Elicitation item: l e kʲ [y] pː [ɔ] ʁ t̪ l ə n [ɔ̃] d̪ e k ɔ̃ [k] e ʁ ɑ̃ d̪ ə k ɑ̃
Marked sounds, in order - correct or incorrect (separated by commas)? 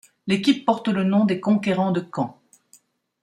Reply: incorrect, correct, correct, correct